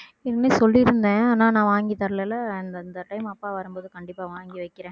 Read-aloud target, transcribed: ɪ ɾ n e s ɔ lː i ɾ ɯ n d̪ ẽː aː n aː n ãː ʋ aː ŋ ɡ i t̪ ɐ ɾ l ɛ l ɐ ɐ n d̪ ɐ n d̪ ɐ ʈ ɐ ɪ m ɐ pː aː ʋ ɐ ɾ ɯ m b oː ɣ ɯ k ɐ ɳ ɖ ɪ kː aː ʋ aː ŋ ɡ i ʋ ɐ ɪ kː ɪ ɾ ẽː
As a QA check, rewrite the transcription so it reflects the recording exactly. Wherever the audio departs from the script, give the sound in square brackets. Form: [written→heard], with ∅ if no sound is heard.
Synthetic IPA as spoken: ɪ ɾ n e s ɔ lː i ɾ ɯ n d̪ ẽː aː n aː n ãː ʋ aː ŋ ɡ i t̪ ɐ ɾ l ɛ l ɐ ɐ n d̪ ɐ n d̪ ɐ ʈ ɐ ɪ m ɐ pː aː ʋ ɐ ɾ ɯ m b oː [ɣ→ð] ɯ k ɐ ɳ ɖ ɪ [kː→pː] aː ʋ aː ŋ ɡ i ʋ ɐ ɪ kː ɪ ɾ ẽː